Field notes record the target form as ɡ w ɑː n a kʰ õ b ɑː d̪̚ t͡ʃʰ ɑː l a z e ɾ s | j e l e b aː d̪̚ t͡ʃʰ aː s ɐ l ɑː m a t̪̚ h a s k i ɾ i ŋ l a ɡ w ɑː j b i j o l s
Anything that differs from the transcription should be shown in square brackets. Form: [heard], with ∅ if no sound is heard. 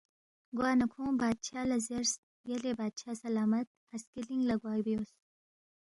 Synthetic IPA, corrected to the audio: ɡ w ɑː n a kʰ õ b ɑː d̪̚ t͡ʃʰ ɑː l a z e ɾ s | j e l e b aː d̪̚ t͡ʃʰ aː s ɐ l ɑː m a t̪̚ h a s k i [l] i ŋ l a ɡ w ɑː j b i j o [∅] s